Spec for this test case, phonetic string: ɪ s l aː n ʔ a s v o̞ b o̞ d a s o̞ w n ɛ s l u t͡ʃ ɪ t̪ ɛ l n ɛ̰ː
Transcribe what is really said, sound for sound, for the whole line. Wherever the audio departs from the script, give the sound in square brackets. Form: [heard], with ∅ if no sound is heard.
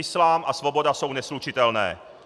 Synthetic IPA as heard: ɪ s l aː [m] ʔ a s v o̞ b o̞ d a s o̞ w n ɛ s l u t͡ʃ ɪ t̪ ɛ l n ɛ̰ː